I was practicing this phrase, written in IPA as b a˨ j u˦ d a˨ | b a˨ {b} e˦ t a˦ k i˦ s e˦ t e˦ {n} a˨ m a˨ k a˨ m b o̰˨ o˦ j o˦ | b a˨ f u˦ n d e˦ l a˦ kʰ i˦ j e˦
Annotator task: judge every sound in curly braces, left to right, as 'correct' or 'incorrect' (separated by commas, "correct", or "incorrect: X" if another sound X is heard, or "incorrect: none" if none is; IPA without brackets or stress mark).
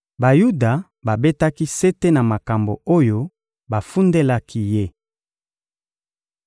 correct, correct